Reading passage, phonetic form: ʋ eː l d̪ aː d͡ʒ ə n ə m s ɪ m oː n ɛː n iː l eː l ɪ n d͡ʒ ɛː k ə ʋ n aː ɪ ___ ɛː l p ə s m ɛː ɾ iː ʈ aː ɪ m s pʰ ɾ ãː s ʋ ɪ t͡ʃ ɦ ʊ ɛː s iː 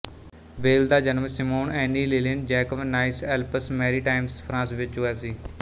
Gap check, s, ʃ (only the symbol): s